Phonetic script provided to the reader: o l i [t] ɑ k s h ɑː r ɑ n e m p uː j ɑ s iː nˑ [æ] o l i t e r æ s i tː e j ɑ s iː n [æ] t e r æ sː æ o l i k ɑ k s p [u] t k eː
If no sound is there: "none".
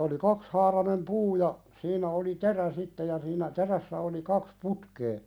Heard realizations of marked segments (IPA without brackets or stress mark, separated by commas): k, æ, æ, u